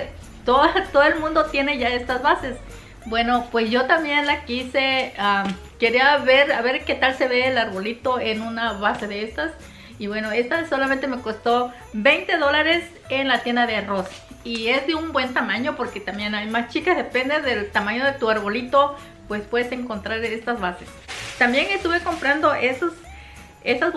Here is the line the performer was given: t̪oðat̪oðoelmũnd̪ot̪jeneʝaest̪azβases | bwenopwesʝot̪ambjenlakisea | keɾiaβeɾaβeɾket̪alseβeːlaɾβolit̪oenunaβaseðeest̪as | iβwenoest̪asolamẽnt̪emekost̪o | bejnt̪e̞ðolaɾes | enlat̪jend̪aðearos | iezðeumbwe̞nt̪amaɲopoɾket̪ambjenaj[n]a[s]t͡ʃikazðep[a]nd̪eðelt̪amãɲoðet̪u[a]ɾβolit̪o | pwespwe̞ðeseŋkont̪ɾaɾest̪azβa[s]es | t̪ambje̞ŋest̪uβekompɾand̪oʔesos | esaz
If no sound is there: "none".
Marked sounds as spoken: m, s, e, a, s

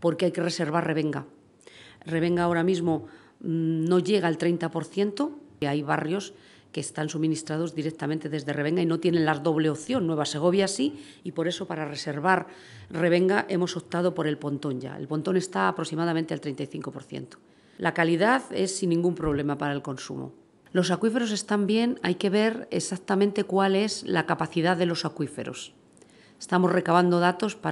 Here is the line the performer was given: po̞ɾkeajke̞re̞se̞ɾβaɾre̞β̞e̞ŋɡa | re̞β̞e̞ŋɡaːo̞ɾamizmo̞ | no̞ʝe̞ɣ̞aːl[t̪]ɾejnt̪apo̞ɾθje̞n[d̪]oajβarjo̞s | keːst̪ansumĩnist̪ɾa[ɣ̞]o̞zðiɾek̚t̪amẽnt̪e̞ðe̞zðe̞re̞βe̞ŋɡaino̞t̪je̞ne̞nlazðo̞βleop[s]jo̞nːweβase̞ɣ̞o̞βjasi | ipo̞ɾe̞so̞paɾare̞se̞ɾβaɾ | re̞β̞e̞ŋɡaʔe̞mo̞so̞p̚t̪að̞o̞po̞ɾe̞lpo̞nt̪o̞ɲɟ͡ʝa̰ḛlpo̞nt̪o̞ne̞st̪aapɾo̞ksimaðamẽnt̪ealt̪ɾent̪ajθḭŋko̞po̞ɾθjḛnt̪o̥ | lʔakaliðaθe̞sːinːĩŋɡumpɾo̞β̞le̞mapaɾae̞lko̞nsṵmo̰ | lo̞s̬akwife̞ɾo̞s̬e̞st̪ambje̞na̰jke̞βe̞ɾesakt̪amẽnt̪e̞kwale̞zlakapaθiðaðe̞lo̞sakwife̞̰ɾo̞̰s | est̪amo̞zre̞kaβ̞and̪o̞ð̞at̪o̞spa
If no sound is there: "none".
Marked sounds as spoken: t̪, t̪, ð̞, θ

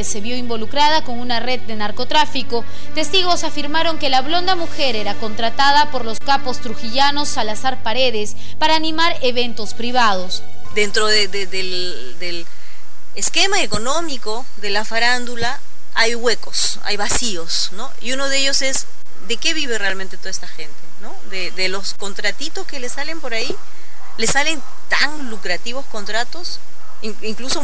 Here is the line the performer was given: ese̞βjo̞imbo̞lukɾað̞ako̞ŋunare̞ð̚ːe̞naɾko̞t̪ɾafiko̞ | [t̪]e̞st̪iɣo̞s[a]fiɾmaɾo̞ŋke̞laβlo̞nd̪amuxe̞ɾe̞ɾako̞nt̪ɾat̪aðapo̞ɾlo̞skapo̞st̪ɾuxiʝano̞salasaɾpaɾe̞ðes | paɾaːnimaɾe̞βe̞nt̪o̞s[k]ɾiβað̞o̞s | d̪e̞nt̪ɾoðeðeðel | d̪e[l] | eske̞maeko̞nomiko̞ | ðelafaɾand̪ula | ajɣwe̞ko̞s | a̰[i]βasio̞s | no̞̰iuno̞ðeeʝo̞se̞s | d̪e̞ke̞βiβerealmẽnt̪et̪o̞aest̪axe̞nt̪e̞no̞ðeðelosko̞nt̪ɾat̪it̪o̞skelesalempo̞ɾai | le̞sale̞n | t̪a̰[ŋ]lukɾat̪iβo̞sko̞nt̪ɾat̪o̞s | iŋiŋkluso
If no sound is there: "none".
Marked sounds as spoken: t̪, a, p, l, j, ŋ

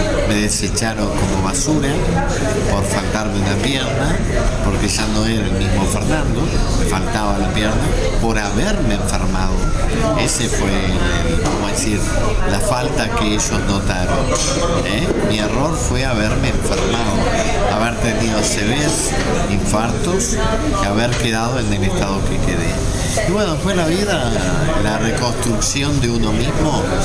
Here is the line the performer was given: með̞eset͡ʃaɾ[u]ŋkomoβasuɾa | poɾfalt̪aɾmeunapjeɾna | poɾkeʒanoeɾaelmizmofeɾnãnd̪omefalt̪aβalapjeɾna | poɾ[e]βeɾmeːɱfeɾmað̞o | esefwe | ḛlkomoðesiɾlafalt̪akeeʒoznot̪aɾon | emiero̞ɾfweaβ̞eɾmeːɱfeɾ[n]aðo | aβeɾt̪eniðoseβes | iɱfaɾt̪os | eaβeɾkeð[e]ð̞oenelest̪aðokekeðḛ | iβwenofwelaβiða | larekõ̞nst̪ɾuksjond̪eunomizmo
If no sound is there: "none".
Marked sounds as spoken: o, a, m, a

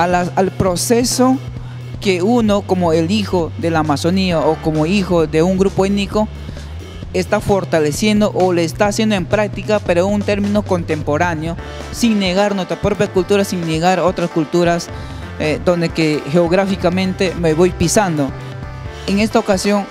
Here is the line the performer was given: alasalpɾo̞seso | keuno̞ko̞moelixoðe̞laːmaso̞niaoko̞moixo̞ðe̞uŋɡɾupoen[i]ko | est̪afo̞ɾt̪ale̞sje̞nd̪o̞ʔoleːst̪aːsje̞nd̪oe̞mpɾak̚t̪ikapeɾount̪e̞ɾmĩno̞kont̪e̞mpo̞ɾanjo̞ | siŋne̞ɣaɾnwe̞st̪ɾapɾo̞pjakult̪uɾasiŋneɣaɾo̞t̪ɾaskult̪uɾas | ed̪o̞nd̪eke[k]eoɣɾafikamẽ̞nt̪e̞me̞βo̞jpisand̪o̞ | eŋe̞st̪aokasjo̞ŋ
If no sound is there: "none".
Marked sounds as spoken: i, x

